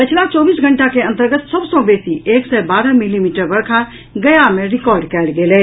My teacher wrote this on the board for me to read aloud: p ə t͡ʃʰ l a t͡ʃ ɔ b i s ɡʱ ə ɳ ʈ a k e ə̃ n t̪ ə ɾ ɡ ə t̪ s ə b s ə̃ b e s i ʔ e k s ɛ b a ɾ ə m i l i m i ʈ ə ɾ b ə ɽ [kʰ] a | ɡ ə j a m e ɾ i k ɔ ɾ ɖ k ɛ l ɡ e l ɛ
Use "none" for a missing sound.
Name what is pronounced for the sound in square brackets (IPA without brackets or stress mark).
kʰ